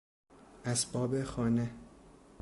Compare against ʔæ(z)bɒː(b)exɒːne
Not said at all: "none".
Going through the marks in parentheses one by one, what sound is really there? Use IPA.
s, b

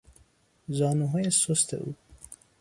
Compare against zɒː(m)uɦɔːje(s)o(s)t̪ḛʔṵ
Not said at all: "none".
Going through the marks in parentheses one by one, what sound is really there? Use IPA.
n, s, s

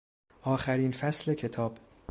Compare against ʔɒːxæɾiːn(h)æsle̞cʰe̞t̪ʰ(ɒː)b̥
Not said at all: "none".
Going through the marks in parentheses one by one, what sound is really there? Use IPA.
f, ɒː

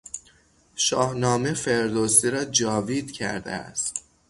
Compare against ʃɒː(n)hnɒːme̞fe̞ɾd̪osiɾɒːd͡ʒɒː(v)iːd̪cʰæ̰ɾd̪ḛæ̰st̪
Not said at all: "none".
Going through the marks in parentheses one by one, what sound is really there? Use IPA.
none, v

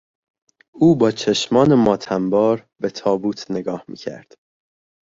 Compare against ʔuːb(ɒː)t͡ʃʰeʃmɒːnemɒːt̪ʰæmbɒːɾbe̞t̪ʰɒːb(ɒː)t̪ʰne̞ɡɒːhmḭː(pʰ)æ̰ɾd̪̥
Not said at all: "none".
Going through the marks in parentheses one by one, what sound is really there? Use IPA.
ɒː, uː, cʰ

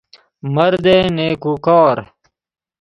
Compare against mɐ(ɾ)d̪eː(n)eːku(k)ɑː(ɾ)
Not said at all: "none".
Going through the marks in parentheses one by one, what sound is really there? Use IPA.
ɾ, n, k, ɾ

